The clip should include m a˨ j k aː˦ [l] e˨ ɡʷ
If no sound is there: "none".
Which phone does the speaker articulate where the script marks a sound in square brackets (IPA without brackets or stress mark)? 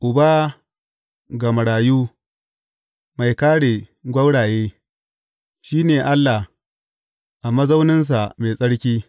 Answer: ɽ